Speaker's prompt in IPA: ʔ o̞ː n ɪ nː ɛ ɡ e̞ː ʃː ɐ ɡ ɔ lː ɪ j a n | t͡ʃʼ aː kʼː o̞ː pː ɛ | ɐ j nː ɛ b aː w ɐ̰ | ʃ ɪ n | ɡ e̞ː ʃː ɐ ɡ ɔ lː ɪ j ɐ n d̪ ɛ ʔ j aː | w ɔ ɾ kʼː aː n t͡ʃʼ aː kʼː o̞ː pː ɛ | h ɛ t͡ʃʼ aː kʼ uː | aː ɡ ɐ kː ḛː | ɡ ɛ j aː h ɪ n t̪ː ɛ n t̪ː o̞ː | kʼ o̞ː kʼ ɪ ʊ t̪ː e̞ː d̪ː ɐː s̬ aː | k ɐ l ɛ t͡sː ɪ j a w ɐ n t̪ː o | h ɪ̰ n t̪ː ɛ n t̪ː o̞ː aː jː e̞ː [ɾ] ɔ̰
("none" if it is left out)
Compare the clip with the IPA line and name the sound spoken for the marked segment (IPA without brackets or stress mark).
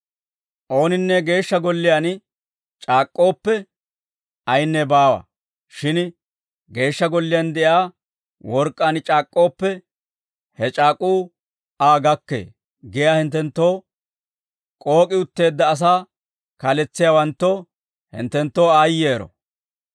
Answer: ɾ